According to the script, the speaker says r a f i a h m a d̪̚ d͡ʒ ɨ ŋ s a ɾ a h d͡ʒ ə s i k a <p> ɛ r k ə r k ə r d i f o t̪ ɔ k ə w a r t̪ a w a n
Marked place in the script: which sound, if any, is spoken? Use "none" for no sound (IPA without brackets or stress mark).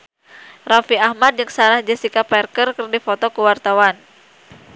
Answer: p